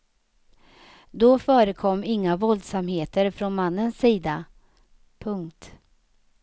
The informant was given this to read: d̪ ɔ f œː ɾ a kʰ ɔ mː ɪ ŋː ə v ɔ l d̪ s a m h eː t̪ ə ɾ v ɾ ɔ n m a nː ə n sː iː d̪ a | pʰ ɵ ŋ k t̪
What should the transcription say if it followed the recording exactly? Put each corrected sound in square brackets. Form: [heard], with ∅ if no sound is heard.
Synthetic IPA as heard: d̪ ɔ f œː ɾ [ə] kʰ ɔ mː ɪ ŋː [a] v ɔ l d̪ s a m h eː t̪ ə ɾ [f] ɾ ɔ n m a nː ə n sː iː d̪ a | pʰ ɵ ŋ k t̪